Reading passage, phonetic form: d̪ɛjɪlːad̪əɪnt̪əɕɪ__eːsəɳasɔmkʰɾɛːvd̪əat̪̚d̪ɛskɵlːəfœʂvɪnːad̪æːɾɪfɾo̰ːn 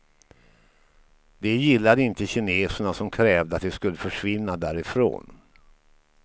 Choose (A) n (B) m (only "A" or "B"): A